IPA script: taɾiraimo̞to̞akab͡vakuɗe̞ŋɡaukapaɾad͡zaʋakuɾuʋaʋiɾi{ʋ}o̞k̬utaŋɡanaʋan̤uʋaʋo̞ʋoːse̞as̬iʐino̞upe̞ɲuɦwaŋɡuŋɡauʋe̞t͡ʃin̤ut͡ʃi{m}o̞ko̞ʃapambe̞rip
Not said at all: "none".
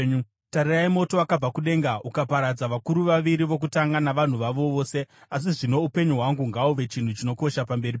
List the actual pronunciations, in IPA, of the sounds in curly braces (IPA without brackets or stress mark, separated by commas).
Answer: ʋ, n